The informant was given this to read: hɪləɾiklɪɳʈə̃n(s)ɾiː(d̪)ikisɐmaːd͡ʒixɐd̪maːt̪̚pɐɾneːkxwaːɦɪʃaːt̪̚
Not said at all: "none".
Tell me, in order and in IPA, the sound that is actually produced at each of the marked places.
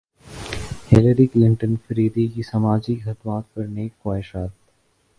f, d̪

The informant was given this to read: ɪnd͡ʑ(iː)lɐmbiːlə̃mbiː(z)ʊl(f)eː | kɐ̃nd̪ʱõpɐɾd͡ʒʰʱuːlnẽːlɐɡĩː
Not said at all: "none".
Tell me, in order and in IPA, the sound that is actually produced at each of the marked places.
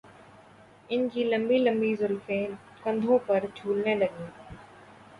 iː, z, f

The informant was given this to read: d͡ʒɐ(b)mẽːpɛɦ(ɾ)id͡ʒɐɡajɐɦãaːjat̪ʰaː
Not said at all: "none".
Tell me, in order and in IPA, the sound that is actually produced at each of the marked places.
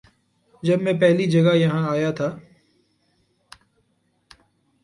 b, l

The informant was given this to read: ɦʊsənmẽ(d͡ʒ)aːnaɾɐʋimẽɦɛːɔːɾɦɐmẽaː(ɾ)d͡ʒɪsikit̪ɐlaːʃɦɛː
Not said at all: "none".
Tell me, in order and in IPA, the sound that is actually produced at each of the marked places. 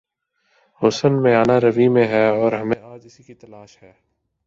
none, none

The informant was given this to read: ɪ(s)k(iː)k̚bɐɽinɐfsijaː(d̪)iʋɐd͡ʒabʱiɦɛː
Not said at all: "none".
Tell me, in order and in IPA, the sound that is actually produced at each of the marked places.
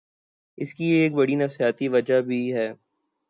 s, iː, t̪

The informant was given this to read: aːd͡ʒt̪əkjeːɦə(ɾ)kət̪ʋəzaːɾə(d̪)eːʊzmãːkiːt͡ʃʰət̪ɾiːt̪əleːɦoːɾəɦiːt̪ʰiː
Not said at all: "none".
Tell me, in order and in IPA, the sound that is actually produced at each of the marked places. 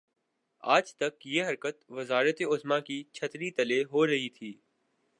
ɾ, t̪

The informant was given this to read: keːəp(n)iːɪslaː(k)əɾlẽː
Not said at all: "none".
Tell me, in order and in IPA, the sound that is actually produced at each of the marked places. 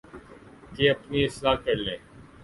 n, k

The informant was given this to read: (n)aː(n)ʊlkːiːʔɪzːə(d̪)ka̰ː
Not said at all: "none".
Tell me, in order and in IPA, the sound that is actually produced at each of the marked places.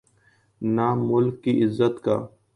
n, m, t̪

